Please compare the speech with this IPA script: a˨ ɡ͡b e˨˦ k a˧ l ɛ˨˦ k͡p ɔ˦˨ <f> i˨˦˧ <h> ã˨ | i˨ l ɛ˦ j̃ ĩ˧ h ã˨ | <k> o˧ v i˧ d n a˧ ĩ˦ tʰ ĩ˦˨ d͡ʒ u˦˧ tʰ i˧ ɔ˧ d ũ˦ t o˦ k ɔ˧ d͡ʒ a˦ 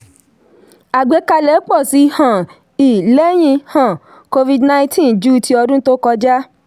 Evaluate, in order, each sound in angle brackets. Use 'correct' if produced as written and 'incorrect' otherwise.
incorrect: s, correct, correct

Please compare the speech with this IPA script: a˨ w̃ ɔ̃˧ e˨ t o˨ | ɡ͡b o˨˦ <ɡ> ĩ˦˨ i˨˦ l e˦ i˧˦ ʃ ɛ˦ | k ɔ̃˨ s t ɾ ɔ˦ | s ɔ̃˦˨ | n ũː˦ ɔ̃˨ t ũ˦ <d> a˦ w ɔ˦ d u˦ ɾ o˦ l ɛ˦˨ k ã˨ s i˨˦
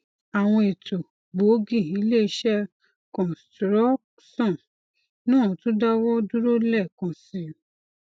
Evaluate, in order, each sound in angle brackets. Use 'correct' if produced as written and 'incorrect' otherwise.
correct, correct

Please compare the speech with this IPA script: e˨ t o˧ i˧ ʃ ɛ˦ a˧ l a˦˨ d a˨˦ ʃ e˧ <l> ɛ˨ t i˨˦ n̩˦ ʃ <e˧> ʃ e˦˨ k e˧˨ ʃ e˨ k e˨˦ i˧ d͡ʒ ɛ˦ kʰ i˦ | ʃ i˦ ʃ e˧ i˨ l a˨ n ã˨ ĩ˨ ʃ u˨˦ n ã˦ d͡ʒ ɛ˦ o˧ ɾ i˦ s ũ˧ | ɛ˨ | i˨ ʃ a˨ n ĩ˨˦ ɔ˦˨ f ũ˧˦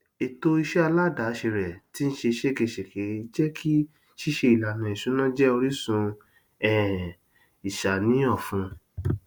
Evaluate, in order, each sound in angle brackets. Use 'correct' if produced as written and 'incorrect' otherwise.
incorrect: ɾ, correct

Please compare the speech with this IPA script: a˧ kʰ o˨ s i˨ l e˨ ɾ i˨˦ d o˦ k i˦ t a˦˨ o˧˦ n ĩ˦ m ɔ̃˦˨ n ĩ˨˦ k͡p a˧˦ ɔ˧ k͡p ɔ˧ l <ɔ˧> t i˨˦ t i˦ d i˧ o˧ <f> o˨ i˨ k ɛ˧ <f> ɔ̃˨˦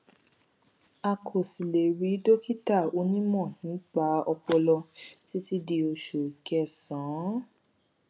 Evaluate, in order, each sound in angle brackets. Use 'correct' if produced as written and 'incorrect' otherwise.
correct, incorrect: ʃ, incorrect: s

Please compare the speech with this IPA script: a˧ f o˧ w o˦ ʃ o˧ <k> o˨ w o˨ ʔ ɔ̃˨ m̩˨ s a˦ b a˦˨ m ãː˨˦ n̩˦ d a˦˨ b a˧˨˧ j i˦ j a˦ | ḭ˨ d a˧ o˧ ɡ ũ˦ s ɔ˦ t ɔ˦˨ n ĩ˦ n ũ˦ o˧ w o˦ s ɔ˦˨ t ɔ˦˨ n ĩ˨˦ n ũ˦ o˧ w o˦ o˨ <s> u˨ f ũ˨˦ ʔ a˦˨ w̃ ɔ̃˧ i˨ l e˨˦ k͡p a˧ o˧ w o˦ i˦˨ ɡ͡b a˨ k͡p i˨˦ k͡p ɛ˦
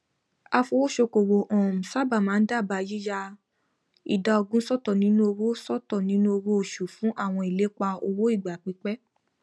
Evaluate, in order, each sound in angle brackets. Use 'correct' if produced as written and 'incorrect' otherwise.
correct, incorrect: ʃ

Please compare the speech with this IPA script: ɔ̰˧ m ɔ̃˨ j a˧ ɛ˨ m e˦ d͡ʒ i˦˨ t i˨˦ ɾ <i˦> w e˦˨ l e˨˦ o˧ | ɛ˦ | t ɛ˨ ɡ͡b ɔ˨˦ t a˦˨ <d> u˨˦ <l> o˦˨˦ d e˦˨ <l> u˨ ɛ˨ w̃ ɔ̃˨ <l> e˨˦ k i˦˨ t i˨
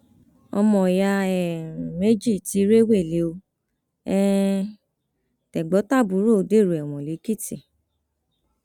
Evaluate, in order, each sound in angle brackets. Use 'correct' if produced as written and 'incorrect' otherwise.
incorrect: e˦, incorrect: b, incorrect: ɾ, incorrect: ɾ, correct

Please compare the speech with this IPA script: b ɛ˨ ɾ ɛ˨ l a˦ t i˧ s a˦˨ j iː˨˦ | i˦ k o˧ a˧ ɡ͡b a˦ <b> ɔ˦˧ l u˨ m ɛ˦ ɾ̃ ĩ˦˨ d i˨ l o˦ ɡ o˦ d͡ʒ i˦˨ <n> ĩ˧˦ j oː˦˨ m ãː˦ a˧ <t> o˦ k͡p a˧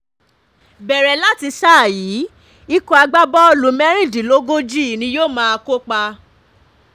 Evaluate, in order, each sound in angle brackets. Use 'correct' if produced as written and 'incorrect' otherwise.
correct, correct, incorrect: k

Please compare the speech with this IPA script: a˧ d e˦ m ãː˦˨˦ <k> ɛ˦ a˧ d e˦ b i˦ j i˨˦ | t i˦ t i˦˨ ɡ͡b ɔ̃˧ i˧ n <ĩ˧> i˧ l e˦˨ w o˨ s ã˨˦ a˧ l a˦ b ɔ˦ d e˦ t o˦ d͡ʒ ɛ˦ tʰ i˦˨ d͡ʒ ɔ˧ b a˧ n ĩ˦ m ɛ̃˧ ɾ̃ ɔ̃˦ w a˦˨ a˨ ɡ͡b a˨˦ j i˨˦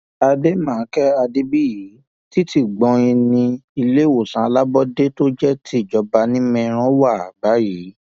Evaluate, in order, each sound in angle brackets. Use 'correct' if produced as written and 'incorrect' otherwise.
correct, correct

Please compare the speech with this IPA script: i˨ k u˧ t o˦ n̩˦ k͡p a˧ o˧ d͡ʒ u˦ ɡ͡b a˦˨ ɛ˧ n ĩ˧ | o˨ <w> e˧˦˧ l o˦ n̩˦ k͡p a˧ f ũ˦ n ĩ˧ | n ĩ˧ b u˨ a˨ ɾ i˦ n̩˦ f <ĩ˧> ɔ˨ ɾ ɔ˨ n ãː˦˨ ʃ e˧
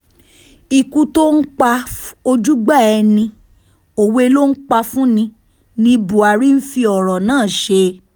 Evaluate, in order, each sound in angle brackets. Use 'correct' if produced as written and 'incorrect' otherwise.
correct, incorrect: i˧

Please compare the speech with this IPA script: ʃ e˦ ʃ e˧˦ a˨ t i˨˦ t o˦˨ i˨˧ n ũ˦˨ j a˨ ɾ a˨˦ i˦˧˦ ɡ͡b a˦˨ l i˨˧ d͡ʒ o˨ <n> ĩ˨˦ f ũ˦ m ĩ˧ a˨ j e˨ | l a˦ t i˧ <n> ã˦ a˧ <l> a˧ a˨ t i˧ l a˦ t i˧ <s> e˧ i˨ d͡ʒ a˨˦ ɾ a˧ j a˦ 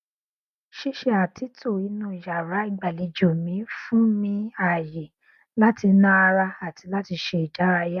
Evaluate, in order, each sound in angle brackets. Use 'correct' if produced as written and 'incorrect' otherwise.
incorrect: m, correct, incorrect: ɾ, incorrect: ʃ

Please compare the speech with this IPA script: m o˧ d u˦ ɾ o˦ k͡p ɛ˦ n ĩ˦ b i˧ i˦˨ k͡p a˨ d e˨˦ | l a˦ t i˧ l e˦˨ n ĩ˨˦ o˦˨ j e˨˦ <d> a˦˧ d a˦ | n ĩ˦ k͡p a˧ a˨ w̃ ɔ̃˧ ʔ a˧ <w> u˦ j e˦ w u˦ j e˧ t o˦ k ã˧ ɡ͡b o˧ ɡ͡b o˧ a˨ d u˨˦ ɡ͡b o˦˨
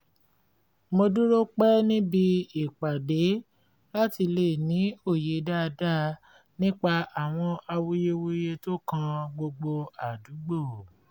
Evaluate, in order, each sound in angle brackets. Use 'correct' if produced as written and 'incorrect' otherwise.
correct, correct

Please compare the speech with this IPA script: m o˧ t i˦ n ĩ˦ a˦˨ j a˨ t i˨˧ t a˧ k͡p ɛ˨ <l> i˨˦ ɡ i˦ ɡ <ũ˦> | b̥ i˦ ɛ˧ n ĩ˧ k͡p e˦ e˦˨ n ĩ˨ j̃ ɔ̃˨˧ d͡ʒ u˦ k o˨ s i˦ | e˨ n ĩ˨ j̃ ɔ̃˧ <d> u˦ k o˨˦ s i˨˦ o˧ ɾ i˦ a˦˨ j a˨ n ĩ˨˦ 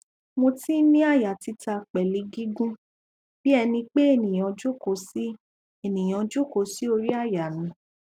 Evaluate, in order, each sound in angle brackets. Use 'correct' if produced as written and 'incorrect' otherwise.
correct, correct, incorrect: d͡ʒ

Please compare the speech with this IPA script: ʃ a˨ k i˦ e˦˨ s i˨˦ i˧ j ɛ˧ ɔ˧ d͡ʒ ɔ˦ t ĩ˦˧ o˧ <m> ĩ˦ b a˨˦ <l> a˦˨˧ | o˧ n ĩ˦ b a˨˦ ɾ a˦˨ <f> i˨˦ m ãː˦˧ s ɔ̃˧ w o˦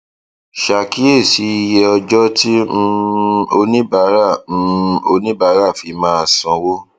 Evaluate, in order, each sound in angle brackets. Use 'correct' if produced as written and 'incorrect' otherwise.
incorrect: n, incorrect: ɾ, correct

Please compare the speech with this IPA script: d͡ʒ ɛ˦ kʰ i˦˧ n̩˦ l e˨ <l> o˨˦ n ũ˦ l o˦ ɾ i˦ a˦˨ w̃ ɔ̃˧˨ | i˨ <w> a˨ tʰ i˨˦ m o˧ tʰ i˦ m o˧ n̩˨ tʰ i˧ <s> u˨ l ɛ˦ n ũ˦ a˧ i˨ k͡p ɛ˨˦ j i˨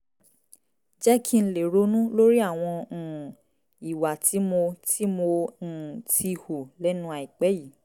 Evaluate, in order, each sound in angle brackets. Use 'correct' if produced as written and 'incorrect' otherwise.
incorrect: ɾ, correct, incorrect: h

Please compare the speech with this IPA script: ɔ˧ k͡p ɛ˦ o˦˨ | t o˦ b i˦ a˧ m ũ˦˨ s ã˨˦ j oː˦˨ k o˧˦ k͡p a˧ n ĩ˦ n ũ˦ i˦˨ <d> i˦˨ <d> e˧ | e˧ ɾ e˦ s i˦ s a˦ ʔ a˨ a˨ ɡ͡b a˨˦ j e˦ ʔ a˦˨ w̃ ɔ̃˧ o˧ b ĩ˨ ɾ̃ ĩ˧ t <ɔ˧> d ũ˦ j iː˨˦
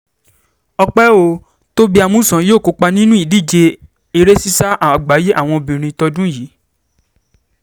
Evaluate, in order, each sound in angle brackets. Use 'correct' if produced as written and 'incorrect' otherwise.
correct, incorrect: d͡ʒ, correct

